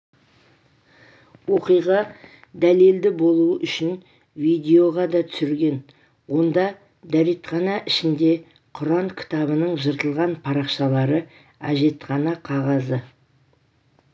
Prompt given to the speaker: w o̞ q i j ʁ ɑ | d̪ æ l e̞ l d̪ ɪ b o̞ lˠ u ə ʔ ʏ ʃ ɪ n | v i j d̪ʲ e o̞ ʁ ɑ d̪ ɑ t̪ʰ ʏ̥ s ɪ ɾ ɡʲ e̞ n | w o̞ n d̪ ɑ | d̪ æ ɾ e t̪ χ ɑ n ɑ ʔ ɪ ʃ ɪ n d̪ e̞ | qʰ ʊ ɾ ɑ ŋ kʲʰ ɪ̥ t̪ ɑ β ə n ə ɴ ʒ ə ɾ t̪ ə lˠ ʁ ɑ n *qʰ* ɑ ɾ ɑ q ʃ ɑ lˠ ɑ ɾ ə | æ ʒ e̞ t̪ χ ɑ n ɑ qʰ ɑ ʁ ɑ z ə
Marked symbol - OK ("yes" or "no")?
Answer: no